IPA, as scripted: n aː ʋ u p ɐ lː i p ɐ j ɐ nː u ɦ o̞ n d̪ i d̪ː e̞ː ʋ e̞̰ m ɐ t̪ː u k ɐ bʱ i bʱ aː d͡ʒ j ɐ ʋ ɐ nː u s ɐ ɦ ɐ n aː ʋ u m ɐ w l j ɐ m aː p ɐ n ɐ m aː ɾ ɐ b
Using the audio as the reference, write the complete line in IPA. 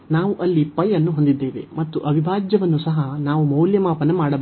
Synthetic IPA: n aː ʋ u ʔ ɐ lː i p ɐ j ɐ nː u ɦ o̞ n d̪ i d̪ː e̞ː ʋ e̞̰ m ɐ t̪ː u ʔ ɐ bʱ i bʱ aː d͡ʒ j ɐ ʋ ɐ nː u s ɐ ɦ ɐ n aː ʋ u m ɐ w l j ɐ m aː p ɐ n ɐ m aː ɽ ɐ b